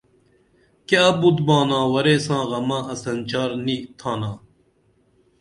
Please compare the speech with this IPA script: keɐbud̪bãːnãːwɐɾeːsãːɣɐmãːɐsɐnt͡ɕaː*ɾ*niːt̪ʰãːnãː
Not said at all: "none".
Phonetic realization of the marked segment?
ɾ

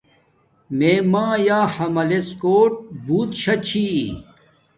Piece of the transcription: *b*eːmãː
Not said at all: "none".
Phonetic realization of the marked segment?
m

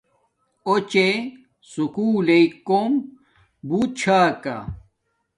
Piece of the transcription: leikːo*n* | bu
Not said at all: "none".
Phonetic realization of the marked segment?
m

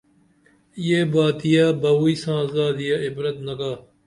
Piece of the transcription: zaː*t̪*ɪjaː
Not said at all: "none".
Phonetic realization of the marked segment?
d̪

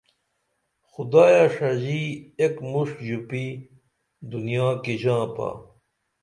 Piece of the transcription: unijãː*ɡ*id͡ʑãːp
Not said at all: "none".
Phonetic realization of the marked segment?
k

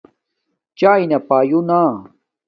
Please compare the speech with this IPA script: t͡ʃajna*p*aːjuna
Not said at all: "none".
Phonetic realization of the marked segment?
p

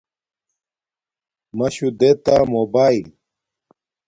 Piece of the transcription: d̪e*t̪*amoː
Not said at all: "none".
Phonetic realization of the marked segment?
t̪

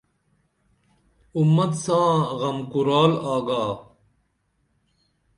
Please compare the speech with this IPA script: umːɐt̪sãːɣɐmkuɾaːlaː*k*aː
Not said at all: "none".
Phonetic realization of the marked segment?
ɡ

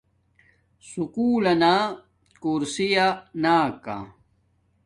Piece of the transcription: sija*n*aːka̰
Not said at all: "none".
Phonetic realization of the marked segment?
n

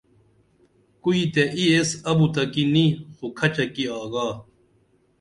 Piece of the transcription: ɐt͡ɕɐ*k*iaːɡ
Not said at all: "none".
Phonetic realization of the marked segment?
k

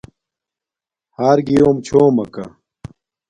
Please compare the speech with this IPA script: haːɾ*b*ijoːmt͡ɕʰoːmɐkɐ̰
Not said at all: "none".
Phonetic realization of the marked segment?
ɡ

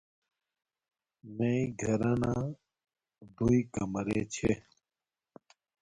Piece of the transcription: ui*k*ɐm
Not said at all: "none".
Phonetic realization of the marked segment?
k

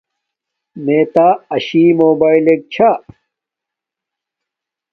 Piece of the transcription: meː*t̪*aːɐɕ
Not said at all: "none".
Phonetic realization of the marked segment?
t̪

